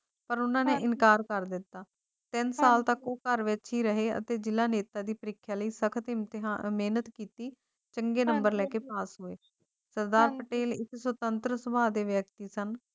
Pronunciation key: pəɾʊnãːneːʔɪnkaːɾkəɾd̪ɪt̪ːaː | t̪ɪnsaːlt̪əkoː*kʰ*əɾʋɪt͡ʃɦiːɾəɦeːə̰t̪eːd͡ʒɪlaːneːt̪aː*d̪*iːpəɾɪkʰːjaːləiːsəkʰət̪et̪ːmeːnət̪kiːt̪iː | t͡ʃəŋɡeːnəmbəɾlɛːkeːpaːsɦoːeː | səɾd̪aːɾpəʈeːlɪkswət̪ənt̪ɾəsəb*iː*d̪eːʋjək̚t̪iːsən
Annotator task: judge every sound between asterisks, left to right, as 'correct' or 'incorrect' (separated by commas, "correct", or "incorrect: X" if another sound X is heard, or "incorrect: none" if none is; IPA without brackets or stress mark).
incorrect: k, correct, incorrect: aː